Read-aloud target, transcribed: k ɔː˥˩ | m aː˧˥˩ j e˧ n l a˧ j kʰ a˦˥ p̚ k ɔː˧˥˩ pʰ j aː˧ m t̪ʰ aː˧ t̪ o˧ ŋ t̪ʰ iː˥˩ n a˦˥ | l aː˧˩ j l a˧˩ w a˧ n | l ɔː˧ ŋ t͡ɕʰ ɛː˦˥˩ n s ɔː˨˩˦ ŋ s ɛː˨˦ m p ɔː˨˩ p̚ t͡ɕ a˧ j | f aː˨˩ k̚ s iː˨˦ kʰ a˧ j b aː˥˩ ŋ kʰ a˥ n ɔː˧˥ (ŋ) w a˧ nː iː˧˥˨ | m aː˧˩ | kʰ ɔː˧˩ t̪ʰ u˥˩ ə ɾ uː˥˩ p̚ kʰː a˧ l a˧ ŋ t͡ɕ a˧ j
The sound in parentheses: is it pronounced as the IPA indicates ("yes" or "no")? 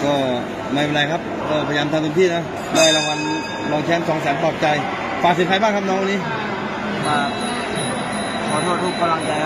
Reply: yes